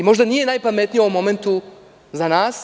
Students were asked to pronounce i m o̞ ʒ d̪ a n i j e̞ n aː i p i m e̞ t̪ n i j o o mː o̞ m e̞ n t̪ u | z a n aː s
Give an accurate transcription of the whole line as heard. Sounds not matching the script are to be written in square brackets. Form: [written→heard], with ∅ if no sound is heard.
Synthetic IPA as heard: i m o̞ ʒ d̪ a n i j e̞ n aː [i→j] p [i→a] m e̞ t̪ n i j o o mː o̞ m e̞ n t̪ u | z a n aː s